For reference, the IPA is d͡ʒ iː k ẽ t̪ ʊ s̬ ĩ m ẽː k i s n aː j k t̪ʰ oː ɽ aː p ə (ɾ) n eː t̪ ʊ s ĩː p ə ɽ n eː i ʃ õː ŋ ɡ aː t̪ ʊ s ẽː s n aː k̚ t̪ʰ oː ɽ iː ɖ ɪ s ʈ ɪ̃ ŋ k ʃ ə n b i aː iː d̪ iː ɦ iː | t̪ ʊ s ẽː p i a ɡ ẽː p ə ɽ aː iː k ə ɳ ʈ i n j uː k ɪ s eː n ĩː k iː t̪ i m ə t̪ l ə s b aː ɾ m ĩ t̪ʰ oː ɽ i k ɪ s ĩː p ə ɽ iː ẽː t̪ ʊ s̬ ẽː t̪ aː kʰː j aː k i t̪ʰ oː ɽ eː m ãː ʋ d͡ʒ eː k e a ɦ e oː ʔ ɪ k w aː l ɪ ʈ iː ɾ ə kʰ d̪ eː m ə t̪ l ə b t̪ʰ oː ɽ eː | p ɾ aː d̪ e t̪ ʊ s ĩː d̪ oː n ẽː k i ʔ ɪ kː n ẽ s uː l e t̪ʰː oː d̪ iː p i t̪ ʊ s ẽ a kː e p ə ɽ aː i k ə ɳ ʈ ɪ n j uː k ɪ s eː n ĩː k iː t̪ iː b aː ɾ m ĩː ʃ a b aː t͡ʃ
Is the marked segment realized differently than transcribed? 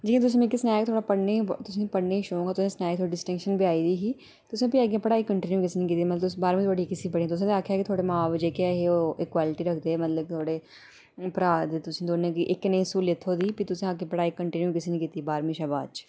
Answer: yes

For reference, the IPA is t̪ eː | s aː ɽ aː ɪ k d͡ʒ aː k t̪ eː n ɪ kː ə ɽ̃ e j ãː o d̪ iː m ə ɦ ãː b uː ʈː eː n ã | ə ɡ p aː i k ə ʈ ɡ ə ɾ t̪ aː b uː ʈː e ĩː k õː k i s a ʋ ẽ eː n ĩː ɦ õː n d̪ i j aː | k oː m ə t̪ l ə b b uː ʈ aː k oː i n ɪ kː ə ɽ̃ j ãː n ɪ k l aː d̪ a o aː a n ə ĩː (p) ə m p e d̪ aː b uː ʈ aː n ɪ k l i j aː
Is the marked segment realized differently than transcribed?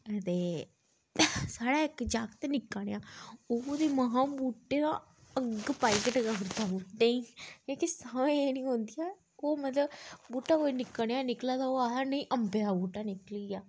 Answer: yes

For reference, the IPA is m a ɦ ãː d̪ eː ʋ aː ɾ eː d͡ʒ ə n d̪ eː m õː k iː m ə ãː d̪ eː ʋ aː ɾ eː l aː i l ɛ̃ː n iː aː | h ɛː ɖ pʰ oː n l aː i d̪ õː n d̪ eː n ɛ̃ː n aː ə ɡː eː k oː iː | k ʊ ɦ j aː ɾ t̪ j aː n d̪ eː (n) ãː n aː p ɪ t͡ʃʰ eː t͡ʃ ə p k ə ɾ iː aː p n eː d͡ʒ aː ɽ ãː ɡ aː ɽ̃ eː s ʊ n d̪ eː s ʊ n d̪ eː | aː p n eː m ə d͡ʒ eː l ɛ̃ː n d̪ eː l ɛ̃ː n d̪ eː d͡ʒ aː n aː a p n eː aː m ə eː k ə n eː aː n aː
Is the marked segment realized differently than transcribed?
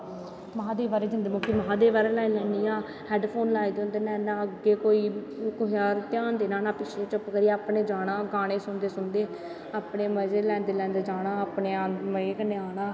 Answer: no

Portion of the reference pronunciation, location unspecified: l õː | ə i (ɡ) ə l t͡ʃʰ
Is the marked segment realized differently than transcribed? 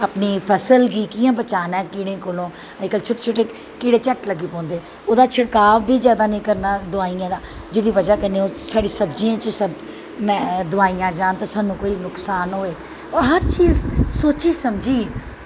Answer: yes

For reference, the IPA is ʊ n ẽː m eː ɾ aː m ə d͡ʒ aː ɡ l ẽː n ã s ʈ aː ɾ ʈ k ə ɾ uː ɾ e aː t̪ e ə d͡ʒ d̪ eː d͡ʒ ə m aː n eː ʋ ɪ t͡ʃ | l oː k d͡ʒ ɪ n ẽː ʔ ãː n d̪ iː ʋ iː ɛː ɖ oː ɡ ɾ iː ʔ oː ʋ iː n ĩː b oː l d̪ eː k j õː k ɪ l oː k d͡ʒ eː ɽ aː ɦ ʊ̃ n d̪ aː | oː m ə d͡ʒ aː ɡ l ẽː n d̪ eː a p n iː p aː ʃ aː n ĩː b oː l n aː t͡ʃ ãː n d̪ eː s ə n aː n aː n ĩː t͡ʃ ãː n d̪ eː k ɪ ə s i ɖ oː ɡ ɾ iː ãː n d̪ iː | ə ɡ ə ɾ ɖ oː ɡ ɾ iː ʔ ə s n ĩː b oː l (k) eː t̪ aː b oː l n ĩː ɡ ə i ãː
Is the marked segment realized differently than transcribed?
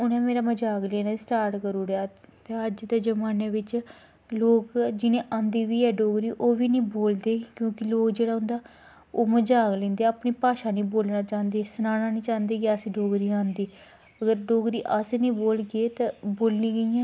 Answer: yes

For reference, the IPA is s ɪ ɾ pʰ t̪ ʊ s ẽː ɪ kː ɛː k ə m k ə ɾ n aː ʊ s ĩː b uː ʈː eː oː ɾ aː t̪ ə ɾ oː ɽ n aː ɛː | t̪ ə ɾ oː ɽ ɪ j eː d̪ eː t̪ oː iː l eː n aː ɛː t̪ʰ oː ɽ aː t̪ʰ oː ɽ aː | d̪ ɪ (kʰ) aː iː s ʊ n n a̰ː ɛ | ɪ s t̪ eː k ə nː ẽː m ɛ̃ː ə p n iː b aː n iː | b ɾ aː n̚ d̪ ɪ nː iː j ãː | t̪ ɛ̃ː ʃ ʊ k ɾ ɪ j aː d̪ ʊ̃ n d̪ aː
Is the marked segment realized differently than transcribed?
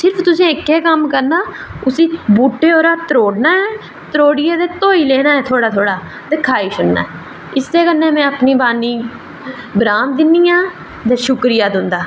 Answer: no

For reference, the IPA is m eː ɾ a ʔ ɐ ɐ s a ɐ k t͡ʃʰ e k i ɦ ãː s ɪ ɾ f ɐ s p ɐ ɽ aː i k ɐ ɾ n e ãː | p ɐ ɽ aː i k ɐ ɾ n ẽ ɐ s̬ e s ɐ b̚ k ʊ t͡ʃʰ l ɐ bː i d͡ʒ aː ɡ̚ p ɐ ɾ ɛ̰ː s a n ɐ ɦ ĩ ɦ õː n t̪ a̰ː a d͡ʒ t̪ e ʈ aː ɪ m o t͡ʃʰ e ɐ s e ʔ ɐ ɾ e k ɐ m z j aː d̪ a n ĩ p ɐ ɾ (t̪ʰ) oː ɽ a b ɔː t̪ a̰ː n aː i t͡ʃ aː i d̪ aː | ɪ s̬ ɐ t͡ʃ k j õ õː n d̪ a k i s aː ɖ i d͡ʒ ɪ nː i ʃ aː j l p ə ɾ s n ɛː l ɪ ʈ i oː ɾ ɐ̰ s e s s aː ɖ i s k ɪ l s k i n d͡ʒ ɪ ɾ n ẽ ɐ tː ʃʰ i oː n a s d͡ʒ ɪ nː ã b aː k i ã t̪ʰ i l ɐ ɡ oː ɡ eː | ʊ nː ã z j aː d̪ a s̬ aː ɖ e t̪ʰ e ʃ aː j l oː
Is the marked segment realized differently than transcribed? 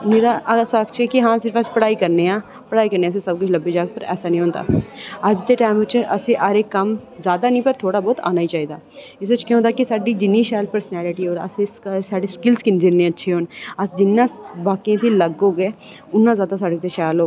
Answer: no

